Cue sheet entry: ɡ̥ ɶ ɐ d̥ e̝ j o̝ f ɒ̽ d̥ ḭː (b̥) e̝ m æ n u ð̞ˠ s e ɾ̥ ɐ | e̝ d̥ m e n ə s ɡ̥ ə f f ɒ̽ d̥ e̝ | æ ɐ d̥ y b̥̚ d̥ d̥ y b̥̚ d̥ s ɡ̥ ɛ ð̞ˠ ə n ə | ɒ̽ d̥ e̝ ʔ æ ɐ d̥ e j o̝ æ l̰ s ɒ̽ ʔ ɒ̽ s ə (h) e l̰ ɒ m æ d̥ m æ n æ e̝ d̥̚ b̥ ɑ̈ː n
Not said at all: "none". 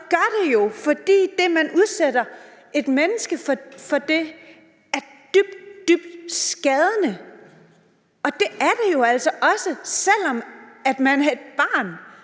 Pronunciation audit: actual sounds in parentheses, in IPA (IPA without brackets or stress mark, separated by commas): d̥, s